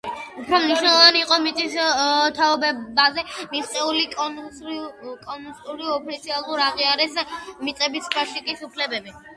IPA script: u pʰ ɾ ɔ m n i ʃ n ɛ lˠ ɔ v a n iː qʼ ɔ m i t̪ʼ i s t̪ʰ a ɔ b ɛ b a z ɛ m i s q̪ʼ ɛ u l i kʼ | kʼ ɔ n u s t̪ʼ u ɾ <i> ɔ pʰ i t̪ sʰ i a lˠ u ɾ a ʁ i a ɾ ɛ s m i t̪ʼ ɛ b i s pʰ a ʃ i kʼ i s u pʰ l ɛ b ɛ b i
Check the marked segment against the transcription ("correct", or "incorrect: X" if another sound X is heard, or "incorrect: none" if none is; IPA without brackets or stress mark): correct